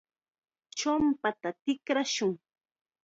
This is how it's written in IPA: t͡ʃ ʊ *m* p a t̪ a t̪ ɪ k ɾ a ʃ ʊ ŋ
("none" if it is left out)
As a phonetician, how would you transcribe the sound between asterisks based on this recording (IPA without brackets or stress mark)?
m